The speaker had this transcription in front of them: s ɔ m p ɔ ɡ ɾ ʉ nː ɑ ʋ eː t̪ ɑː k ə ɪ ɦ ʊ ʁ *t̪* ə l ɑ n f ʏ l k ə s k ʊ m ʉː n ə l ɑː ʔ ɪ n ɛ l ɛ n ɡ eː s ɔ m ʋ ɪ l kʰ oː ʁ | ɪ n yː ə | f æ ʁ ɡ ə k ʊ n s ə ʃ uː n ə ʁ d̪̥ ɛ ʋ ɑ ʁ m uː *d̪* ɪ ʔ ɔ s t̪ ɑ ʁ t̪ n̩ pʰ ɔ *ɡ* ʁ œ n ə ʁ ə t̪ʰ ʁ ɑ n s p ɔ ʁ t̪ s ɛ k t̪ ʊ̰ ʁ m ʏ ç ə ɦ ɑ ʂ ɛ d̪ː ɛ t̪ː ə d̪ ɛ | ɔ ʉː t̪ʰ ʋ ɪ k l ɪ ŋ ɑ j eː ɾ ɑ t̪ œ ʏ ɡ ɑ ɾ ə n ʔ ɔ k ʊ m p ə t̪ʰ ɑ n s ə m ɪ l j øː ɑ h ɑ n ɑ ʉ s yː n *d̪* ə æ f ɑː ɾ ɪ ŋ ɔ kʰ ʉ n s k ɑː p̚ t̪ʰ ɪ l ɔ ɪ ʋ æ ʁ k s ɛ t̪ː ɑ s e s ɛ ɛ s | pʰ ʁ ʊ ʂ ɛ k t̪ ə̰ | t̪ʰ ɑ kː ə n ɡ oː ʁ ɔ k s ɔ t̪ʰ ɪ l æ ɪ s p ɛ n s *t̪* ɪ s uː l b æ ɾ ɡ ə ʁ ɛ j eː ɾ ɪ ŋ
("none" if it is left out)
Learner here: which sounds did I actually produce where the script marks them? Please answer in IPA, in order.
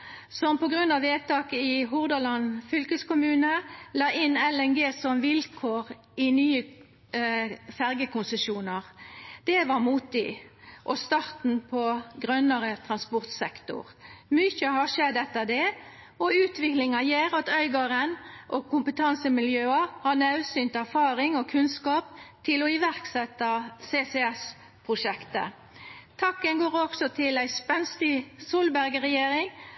d̪, t̪, ɡ, t̪, t̪

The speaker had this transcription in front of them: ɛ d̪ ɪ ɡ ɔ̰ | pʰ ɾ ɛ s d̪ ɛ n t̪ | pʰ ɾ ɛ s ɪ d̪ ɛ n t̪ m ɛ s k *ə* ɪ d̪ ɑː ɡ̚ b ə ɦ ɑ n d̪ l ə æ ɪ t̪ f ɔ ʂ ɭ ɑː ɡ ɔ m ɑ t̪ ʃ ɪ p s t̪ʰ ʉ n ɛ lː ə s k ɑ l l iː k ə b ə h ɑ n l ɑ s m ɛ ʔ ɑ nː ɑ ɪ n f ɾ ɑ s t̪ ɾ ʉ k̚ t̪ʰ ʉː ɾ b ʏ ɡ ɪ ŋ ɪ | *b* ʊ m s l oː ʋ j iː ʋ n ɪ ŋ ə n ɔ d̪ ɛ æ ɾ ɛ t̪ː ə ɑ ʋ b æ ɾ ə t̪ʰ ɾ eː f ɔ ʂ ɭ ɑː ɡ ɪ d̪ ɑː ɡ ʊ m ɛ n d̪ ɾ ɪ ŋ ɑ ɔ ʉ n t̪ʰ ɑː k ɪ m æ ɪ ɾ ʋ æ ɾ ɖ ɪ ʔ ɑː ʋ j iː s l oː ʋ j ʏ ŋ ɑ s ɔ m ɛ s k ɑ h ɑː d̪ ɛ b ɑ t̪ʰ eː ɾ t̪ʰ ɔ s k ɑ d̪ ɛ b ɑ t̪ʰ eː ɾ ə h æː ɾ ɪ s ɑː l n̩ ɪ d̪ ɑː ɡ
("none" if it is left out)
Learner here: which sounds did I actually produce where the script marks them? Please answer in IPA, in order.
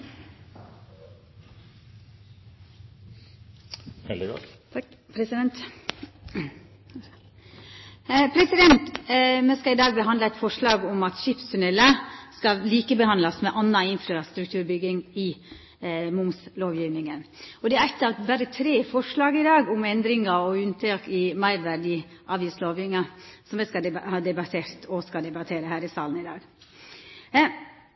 ɑ, m

